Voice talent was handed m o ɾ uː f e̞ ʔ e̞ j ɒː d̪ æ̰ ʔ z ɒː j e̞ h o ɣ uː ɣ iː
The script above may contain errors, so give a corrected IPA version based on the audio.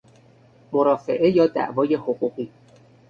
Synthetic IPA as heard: m o ɾ ɒː f e̞ ʔ e̞ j ɒː d̪ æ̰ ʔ v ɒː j e̞ h o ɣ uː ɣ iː